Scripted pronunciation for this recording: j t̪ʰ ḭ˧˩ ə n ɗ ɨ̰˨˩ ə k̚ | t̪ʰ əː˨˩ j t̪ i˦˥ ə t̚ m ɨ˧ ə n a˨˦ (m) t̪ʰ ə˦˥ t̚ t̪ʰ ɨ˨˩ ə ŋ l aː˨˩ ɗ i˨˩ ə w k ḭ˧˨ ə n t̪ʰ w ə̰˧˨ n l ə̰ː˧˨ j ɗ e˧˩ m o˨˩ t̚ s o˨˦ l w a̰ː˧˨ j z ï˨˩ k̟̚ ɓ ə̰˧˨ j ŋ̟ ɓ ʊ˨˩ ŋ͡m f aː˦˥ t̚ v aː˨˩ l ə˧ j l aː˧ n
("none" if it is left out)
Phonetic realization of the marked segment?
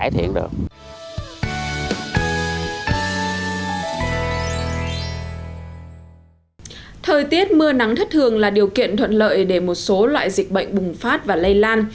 ŋ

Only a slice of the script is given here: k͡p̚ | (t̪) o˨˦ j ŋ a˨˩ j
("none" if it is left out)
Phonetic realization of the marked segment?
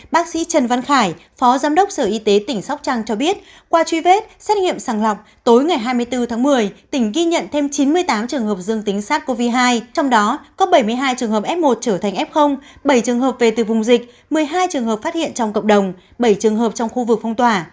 t̪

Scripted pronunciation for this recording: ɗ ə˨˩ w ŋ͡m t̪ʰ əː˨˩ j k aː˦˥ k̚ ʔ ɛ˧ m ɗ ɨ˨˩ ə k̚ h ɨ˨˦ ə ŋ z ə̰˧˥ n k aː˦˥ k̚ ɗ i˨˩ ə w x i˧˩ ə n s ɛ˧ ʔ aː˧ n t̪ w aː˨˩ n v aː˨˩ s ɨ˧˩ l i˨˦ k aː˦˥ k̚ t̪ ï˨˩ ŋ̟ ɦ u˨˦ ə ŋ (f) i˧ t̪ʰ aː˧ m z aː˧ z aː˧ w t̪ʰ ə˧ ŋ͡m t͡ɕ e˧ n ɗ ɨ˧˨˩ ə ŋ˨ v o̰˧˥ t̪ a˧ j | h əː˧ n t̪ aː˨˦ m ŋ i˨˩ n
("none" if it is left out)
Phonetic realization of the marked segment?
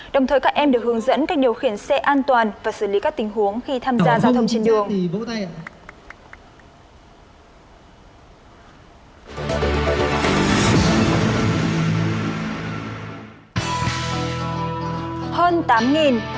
x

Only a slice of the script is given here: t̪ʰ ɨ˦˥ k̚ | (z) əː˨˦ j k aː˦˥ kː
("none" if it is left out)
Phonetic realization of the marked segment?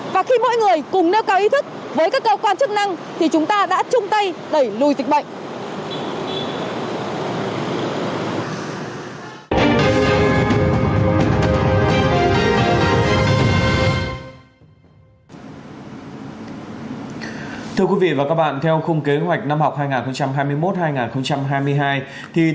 v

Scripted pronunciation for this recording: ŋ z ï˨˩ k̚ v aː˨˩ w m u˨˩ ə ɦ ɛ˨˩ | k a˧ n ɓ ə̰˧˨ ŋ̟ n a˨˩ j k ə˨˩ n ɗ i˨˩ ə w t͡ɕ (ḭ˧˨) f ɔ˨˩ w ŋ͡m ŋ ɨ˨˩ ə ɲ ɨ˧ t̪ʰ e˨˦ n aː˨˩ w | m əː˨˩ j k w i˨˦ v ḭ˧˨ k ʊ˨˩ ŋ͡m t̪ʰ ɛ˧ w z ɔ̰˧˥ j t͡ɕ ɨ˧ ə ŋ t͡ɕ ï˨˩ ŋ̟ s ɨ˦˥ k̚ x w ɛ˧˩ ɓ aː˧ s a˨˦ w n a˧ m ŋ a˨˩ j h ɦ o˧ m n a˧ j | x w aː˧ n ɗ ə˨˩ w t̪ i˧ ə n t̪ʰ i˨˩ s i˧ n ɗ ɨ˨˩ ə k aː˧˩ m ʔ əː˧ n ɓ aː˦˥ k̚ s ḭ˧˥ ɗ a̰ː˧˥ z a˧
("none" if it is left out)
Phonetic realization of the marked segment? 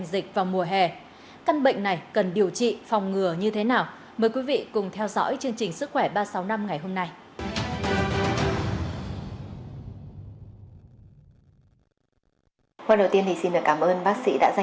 ḭ˧˨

